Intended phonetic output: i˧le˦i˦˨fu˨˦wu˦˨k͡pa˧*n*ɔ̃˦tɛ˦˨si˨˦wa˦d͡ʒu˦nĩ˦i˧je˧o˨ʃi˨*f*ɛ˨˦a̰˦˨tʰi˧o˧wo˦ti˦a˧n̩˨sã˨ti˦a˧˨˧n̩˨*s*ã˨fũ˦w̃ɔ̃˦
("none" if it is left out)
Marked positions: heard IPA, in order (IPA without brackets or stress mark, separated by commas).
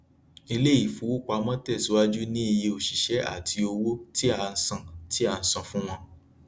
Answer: m, ʃ, s